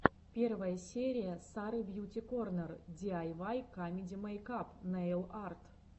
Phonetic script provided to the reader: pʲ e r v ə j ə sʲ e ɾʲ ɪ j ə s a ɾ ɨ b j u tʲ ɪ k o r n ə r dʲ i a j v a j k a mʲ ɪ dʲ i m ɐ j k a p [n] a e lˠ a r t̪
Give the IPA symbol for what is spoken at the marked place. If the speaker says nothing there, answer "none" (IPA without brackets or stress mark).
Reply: n